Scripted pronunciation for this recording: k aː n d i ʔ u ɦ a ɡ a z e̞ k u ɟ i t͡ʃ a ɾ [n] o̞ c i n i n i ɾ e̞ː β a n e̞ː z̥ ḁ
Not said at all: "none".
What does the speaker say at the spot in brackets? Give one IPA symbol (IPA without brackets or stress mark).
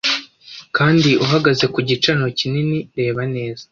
n